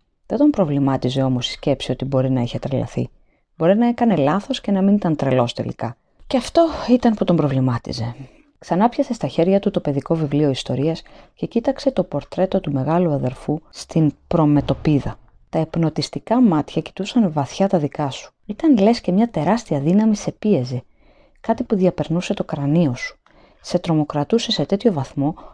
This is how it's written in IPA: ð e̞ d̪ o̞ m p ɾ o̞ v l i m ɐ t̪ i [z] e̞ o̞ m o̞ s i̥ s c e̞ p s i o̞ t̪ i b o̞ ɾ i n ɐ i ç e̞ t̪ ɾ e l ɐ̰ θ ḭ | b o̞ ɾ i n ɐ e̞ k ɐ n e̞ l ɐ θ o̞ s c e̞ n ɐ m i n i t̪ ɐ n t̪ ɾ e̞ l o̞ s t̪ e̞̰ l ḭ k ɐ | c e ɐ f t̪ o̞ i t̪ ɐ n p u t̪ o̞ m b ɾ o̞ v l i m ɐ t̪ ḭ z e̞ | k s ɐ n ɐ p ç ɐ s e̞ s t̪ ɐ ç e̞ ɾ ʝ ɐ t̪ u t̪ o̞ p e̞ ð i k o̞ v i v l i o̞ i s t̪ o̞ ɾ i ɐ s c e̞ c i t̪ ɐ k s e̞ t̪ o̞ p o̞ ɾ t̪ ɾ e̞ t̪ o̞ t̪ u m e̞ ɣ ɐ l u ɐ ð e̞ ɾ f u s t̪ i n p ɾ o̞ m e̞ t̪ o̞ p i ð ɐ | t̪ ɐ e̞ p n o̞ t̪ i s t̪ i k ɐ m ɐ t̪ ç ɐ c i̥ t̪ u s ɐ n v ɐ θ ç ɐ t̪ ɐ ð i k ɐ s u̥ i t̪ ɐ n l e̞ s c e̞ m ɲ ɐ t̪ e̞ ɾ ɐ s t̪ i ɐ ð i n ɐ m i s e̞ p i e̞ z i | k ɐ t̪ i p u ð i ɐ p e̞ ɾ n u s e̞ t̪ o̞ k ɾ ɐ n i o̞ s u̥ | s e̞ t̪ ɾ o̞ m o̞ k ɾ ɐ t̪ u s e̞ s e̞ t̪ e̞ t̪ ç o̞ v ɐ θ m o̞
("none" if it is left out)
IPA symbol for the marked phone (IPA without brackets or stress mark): z